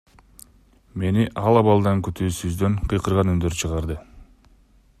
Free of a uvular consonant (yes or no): no